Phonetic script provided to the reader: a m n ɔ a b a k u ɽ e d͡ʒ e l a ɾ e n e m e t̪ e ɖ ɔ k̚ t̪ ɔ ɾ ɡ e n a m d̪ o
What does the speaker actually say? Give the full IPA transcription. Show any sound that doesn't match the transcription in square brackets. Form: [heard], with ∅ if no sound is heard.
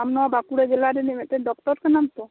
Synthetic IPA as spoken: a m n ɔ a b a k u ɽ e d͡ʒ e l a ɾ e n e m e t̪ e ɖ ɔ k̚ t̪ ɔ ɾ [k] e n a m [t̪] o

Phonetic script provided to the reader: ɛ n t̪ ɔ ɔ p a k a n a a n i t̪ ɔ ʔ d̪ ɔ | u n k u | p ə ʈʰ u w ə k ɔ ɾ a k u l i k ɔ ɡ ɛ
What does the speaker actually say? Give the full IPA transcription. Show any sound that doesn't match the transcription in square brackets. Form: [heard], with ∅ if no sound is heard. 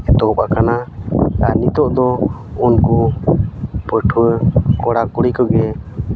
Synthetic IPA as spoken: ɛ [∅] t̪ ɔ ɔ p a k a n a a n i t̪ ɔ ʔ d̪ ɔ | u n k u | p ə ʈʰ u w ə k ɔ [ɽ] a k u [ɽ] i k ɔ ɡ ɛ

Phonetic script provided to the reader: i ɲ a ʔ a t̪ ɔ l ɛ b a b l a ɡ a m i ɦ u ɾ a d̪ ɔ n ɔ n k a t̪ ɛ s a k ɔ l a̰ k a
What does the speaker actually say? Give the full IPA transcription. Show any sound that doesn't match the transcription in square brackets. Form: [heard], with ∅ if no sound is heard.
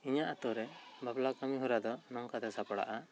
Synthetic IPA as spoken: i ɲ a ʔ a t̪ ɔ [ɾ] ɛ b a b l a [k] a m i ɦ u ɾ a d̪ ɔ n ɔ [ŋ] k a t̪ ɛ s a [p] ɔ [ɽ] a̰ [ʔ] a

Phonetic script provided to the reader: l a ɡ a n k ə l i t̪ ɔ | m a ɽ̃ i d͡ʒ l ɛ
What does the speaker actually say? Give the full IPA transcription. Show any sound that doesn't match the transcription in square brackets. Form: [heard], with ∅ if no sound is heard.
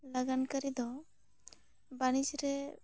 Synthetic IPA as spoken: l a ɡ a n k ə [ɾ] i [d̪] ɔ | [b] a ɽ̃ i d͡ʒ [ɾ] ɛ

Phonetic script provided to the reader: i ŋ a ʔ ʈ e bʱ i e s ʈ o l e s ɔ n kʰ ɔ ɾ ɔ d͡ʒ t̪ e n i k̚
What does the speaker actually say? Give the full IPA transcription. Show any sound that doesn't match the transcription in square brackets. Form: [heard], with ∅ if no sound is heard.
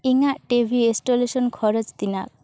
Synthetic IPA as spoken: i ŋ a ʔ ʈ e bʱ i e s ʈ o l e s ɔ n kʰ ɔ ɾ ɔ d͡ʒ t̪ [i] n [a] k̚

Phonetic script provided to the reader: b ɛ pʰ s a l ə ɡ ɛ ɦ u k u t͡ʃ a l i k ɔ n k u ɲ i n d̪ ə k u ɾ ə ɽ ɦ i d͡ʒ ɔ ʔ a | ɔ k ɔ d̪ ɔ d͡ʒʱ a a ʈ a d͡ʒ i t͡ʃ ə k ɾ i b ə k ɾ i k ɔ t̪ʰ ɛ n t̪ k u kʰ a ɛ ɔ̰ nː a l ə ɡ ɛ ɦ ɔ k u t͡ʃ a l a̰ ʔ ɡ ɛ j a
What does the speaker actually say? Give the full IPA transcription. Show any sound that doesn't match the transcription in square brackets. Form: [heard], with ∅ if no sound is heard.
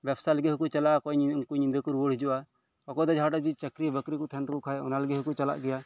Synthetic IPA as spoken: b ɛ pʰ s a l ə ɡ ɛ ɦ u k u t͡ʃ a l [a] k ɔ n k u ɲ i n d̪ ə k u ɾ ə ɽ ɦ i d͡ʒ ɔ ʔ a | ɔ k ɔ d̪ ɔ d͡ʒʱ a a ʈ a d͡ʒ i t͡ʃ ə k ɾ i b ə k ɾ i k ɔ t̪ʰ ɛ n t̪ k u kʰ a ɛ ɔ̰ [n] a l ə ɡ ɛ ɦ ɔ k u t͡ʃ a l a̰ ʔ ɡ ɛ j a

